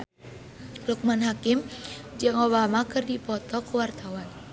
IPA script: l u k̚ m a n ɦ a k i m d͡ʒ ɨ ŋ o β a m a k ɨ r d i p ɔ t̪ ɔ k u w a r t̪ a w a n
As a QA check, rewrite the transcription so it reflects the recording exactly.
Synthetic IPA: l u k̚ m a n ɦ a k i m d͡ʒ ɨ ŋ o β a m a k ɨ r d i p ɔ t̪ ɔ k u w a r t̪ a w a n